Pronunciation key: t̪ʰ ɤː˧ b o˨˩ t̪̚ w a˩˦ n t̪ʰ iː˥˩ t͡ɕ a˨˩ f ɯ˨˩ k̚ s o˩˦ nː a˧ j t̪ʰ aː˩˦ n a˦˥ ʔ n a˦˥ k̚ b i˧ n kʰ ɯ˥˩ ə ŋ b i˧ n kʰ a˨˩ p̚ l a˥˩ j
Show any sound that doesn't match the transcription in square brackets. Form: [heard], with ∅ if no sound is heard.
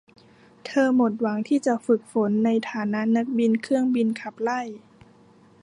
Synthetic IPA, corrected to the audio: t̪ʰ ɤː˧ [m] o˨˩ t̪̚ w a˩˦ [ŋ] t̪ʰ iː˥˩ t͡ɕ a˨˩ f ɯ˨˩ k̚ [f] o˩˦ nː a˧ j t̪ʰ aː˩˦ n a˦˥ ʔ n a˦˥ k̚ b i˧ n kʰ ɯ˥˩ ə ŋ b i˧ n kʰ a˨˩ p̚ l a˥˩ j